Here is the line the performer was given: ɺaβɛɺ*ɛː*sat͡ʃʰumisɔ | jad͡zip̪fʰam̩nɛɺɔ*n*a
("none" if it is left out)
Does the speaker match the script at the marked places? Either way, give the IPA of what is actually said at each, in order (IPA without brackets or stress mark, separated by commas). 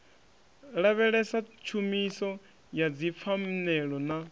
ɛ, n